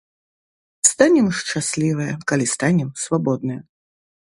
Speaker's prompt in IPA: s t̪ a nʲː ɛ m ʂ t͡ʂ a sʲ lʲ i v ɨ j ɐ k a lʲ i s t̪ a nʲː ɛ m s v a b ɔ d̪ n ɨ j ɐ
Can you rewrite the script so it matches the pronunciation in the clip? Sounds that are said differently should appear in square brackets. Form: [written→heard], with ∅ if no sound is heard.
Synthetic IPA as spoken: s t̪ a [nʲː→nʲ] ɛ m ʂ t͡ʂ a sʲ lʲ i v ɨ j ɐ k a lʲ i s t̪ a [nʲː→nʲ] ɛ m s v a b ɔ d̪ n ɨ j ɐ